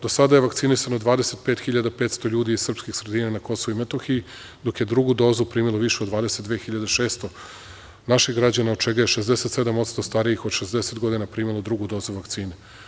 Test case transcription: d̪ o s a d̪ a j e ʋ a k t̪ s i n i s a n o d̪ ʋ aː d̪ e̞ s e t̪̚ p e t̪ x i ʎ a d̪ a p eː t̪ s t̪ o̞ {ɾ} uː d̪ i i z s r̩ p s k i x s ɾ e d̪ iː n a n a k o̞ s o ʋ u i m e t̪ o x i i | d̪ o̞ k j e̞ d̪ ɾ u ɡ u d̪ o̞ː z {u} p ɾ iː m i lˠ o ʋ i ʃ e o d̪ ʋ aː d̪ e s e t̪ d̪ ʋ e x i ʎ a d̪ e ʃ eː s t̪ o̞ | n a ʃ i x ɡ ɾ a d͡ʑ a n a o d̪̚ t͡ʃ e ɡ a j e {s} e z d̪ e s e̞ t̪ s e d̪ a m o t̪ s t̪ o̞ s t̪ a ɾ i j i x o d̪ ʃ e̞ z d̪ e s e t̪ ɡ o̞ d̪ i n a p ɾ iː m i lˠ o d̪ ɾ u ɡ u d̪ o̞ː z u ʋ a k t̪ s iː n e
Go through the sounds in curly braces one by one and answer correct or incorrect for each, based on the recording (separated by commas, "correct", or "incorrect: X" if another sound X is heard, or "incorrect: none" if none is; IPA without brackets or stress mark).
incorrect: ʎ, correct, incorrect: ʃ